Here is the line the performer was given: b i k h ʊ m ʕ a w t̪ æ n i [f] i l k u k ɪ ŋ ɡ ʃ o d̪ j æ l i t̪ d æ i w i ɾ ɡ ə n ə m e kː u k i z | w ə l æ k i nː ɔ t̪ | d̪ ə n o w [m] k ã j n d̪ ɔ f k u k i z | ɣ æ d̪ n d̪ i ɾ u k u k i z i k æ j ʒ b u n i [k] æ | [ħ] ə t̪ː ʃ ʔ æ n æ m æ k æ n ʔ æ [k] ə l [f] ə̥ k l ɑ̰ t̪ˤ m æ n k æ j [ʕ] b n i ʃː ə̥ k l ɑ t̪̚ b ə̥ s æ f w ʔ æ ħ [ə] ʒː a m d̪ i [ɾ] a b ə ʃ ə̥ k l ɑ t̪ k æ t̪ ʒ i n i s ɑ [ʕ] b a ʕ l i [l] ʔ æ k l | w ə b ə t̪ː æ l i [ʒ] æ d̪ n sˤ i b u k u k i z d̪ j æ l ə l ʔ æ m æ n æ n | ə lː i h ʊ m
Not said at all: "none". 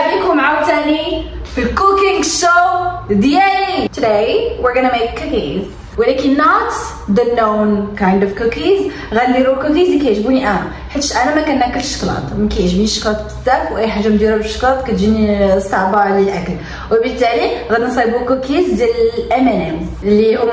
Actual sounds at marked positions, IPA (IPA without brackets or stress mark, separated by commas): f, n, ʔ, ħ, k, ʃ, ʒ, a, ɾ, ʕ, l, ɣ